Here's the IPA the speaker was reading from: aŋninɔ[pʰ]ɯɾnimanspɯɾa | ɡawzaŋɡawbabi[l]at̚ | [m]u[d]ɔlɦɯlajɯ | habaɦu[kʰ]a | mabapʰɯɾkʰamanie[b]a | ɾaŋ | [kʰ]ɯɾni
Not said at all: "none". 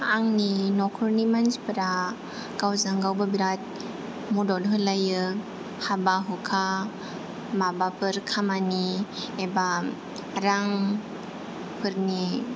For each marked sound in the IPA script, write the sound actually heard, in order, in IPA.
kʰ, ɾ, m, d, kʰ, b, pʰ

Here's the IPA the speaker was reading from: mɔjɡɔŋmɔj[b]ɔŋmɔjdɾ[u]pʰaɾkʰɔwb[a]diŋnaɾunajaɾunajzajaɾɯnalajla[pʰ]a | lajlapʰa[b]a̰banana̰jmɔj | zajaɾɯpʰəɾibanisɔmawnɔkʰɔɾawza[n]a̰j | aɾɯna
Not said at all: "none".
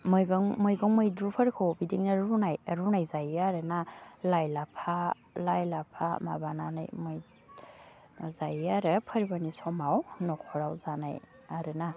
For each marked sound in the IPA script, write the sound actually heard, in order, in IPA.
ɡ, u, i, pʰ, m, n

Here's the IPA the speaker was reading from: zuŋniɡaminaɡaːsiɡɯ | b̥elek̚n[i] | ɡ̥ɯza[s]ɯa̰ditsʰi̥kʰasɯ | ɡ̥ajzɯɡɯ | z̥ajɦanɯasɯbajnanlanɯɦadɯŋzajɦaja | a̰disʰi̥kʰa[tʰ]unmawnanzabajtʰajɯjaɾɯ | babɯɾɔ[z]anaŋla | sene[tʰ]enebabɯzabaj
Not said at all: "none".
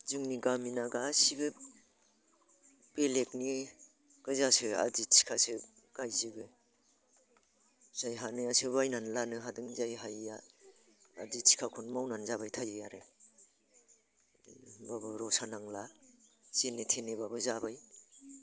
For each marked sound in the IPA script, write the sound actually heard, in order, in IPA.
i, s, kʰ, s, tʰ

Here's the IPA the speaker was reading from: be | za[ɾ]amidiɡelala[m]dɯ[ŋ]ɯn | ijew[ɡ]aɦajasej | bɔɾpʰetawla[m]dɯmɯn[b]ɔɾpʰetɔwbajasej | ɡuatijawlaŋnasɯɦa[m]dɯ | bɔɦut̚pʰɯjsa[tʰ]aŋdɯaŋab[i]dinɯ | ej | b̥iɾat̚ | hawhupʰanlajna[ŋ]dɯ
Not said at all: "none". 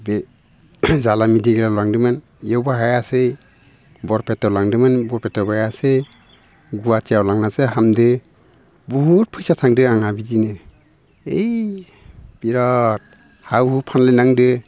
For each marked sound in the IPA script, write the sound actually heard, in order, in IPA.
l, ŋ, m, b, ŋ, b, m, tʰ, i, ŋ

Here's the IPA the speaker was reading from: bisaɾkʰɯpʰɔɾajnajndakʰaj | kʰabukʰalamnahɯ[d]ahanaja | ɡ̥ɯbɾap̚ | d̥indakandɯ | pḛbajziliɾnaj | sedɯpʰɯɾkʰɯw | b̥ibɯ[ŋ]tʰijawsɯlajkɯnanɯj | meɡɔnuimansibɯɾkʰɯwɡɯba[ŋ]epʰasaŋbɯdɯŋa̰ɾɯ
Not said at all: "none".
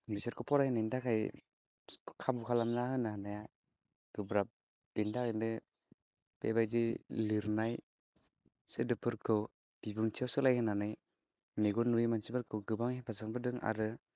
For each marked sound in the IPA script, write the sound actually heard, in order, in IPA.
n, ŋ, ŋ

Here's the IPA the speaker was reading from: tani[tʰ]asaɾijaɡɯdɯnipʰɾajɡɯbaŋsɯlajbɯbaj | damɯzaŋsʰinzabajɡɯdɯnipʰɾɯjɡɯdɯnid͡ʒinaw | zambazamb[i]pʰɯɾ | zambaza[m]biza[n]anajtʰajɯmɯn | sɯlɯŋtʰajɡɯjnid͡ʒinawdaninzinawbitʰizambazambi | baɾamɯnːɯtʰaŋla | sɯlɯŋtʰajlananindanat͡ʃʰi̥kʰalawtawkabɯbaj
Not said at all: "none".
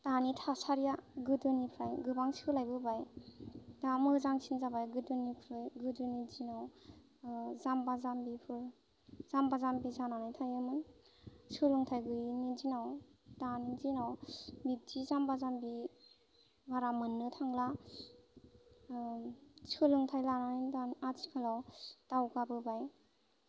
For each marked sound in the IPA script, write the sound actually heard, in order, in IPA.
tʰ, i, m, n

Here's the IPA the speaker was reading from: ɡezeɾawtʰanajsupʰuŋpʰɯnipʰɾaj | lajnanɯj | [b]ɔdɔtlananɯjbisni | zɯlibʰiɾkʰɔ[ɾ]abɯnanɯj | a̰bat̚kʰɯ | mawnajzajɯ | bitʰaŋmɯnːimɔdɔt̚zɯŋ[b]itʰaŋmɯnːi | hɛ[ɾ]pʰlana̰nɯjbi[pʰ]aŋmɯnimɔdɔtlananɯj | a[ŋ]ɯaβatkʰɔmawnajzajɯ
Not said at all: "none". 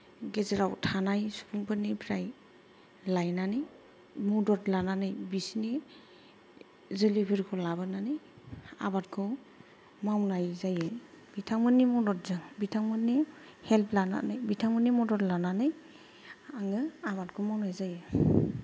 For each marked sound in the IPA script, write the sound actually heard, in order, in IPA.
m, l, b, l, tʰ, ŋ

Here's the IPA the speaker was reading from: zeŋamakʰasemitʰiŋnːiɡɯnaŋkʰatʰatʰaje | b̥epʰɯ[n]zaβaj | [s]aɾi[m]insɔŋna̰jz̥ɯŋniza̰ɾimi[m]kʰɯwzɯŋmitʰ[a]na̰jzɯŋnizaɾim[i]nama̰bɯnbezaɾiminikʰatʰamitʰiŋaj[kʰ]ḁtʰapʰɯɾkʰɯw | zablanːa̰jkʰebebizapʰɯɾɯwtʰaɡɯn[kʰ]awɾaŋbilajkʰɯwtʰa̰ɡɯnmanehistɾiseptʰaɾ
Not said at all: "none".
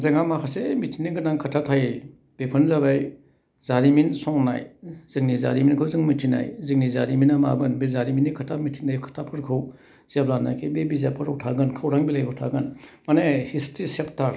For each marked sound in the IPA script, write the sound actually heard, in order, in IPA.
n, z, m, n, i, i, kʰ, kʰ

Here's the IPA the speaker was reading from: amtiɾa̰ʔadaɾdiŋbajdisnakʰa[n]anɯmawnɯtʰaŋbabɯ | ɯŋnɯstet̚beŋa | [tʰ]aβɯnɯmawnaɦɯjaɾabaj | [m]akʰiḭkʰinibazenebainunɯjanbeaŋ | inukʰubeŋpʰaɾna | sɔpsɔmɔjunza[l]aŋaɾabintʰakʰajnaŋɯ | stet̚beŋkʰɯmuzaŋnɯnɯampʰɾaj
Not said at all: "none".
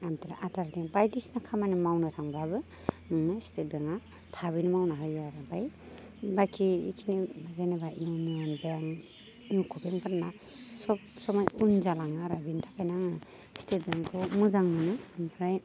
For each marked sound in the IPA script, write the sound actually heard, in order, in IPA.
m, tʰ, b, l

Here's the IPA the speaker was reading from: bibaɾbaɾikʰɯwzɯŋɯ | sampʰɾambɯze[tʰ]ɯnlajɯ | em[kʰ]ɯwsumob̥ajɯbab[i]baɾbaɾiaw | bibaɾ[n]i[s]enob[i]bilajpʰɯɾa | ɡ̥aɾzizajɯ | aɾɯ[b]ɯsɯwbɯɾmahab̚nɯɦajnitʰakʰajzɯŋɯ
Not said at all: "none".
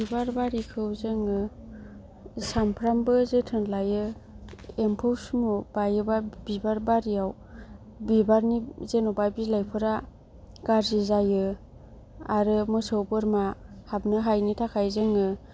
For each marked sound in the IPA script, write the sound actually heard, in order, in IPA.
tʰ, pʰ, i, n, z, a, m

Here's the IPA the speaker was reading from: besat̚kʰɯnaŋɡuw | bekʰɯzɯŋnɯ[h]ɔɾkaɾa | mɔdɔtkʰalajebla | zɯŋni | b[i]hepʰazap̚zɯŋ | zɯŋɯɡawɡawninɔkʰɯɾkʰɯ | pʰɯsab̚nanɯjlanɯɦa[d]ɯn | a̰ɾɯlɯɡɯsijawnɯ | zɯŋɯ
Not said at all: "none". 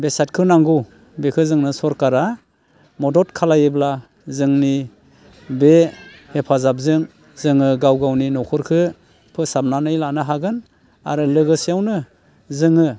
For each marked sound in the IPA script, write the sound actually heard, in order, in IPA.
s, e, ɡ

